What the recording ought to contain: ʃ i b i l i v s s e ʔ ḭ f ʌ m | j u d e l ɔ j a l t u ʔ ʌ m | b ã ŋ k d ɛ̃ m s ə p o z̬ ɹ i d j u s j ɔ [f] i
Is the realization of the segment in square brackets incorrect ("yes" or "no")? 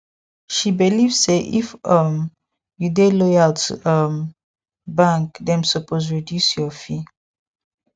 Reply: no